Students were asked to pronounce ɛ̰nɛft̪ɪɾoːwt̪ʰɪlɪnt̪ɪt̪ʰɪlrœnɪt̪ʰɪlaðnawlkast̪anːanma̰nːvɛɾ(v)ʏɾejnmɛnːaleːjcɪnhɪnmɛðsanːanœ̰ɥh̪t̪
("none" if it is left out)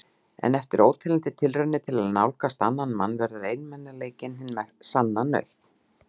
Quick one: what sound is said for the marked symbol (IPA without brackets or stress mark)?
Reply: ð